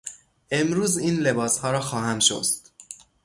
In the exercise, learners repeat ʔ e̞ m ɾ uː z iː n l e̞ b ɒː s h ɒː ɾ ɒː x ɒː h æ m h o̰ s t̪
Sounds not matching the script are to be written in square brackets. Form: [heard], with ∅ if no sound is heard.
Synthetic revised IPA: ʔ e̞ m ɾ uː z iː n l e̞ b ɒː s h ɒː ɾ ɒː x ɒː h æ m [ʃ] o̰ s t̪